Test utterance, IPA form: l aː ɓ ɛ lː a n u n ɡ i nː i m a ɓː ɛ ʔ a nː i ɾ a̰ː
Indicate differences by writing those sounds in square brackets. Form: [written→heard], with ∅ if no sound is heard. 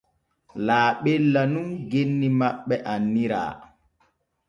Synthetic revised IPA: l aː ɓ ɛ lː a n u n ɡ [i→e] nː i m a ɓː ɛ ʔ a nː i ɾ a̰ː